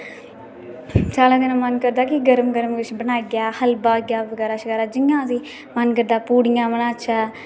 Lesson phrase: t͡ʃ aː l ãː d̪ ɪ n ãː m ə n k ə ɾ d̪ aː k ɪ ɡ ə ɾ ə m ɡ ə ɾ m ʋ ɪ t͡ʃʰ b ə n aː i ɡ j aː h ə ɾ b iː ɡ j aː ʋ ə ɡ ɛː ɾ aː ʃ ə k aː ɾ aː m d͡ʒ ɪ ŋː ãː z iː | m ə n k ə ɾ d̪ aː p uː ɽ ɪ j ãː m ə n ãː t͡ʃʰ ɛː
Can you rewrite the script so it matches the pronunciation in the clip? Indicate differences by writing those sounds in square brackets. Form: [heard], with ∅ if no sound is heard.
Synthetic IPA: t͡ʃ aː l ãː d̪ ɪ n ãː m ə n k ə ɾ d̪ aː k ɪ ɡ ə ɾ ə m ɡ ə ɾ m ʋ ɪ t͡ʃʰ b ə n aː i ɡ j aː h ə [l] b [aː] ɡ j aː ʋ ə ɡ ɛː ɾ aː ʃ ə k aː ɾ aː [∅] d͡ʒ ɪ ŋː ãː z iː | m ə n k ə ɾ d̪ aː p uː ɽ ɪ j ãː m ə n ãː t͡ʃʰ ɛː

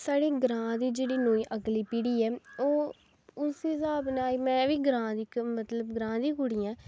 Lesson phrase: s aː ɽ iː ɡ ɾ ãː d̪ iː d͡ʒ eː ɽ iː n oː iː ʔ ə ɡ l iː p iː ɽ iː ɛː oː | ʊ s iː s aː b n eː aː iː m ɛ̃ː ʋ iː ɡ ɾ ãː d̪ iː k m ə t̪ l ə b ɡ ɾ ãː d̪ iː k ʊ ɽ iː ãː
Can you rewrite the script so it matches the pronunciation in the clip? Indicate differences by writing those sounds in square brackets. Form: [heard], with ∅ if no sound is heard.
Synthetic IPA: s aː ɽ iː ɡ ɾ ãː d̪ iː d͡ʒ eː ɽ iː n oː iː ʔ ə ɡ l iː p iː ɽ iː ɛː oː | ʊ s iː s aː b n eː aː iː m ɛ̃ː ʋ iː ɡ ɾ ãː d̪ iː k m ə t̪ l ə b ɡ ɾ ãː d̪ iː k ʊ ɽ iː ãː

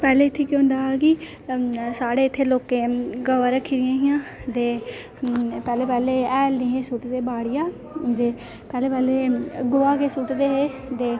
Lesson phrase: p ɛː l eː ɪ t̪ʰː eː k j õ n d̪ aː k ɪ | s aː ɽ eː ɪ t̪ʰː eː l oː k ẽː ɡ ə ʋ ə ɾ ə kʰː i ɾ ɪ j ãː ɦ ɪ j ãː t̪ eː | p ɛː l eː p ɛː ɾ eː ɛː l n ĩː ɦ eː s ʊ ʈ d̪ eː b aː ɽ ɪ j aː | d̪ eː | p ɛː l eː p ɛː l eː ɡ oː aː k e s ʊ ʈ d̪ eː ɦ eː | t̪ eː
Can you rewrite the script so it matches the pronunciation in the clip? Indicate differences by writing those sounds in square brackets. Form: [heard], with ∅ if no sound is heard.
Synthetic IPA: p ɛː l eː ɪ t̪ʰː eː k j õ n d̪ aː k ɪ | s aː ɽ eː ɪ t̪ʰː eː l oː k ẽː ɡ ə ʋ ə ɾ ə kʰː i ɾ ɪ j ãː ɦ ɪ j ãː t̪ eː | p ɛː l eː p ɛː [l] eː ɛː l n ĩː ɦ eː s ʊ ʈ d̪ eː b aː ɽ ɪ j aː | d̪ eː | p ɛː l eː p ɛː l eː ɡ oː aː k e s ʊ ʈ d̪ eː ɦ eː | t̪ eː

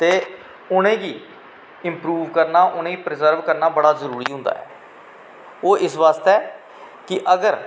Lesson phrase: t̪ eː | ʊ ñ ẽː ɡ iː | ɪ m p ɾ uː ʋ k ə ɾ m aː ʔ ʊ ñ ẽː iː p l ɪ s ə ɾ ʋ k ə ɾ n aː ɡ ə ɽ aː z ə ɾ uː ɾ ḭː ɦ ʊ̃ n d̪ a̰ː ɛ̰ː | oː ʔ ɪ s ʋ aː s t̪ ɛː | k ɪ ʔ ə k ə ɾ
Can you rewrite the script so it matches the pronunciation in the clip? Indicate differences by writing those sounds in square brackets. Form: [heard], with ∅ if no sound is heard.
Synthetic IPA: t̪ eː | ʊ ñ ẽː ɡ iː | ɪ m p ɾ uː ʋ k ə ɾ [n] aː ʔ ʊ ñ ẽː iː p [ɾ] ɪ [z] ə ɾ ʋ k ə ɾ n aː [b] ə ɽ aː z ə ɾ uː ɾ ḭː ɦ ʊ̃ n d̪ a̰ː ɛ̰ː | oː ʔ ɪ s ʋ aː s t̪ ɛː | k ɪ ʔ ə [ɡ] ə ɾ

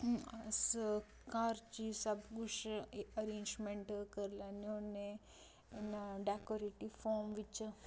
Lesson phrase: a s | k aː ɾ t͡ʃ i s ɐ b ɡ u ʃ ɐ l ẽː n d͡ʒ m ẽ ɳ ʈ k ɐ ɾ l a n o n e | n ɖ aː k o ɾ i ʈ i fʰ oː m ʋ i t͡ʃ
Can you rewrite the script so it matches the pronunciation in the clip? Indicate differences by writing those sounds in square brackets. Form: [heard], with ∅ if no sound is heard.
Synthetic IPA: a s | k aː ɾ t͡ʃ i s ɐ b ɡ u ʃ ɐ [ɾ] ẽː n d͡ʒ m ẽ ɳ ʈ k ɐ ɾ l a n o n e | n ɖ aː k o ɾ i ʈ i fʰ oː m ʋ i t͡ʃ

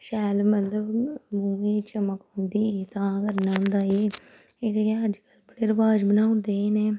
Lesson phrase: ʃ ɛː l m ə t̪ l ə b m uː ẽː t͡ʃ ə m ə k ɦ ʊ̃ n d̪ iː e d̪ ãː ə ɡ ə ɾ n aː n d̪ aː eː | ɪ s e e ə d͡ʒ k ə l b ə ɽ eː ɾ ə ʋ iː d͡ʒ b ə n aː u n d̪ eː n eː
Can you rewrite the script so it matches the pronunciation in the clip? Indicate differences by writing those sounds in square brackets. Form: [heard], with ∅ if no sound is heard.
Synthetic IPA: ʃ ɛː l m ə t̪ l ə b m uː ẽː t͡ʃ ə m ə k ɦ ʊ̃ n d̪ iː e [t̪] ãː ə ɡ ə ɾ n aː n d̪ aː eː | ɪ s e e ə d͡ʒ k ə l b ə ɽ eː ɾ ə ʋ [aː] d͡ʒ b ə n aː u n d̪ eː n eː

